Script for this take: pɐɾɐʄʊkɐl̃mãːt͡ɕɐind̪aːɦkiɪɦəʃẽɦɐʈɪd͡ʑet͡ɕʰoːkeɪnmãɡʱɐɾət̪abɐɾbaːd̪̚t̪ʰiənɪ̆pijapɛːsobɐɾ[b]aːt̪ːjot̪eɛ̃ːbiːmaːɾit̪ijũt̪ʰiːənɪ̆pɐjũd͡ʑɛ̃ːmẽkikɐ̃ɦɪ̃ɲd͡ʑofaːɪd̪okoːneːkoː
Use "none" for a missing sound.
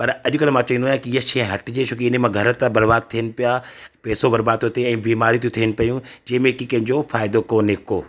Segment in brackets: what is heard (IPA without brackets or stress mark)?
b